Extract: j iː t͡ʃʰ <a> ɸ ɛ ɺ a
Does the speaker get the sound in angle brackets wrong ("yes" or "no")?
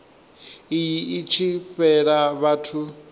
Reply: yes